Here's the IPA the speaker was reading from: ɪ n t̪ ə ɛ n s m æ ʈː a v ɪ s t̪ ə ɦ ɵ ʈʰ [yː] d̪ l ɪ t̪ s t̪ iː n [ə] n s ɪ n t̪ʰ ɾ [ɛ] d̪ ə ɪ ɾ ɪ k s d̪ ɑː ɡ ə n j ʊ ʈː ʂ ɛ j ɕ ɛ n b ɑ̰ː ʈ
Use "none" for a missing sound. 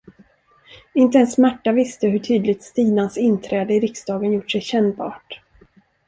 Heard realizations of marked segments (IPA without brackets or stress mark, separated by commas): yː, a, ɛː